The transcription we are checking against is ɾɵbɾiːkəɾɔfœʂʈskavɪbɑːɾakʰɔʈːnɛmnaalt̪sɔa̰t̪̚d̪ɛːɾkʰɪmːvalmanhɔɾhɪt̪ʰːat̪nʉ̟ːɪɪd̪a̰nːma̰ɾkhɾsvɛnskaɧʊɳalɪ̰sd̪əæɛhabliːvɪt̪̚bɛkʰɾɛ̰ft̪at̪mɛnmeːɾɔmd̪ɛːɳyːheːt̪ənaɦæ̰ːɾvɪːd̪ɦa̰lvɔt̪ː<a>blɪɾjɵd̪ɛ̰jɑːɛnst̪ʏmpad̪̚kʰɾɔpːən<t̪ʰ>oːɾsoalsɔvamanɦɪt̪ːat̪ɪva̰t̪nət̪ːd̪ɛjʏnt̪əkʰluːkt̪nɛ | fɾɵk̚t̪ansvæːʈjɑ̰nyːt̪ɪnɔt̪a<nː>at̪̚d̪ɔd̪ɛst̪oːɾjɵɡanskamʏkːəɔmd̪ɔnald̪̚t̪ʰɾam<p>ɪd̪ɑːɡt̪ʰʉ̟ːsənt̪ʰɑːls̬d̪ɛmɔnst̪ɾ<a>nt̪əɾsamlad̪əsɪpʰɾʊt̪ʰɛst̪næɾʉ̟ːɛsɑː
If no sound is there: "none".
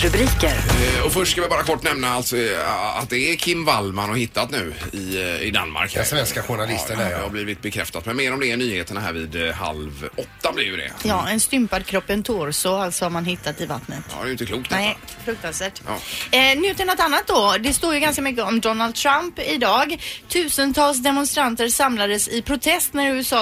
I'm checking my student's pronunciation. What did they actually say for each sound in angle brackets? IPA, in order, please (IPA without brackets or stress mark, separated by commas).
a, t̪ʰ, nː, p, a